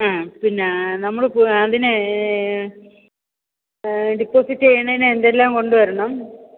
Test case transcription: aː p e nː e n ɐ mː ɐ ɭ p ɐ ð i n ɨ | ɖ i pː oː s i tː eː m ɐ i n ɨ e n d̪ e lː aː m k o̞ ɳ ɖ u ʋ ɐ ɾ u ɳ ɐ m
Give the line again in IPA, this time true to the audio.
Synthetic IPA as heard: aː p i nː e n ɐ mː ɐ ɭ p ɐ ð i n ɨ | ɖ i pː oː s i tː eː ɳ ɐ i n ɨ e n d̪ e lː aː m k o̞ ɳ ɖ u ʋ ɐ ɾ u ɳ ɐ m